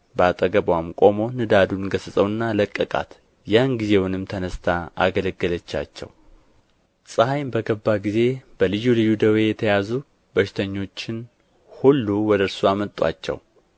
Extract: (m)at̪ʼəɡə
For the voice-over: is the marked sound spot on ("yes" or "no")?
no